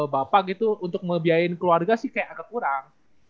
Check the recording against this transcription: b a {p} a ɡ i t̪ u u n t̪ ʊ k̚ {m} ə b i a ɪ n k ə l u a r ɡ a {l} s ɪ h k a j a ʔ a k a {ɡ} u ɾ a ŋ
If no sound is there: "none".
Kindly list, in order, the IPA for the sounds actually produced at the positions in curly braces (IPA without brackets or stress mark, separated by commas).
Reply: p, m, none, k